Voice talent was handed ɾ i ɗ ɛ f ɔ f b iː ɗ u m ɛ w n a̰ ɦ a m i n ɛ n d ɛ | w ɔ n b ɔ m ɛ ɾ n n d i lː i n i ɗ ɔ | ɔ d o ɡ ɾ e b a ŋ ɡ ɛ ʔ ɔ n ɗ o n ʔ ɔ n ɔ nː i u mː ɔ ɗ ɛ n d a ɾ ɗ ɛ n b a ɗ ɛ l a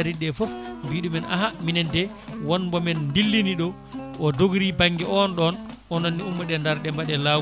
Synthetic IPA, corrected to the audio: ɾ i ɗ ɛ f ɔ f b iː ɗ u m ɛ n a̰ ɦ a m i n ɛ n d ɛ | w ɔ n b ɔ m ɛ n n d i lː i n i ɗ ɔ | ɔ d o ɡ ɾ i b a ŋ ɡ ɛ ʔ ɔ n ɗ ɔ n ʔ ɔ n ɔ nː i u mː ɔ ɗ ɛ n d a ɾ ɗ ɛ m b a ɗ ɛ l a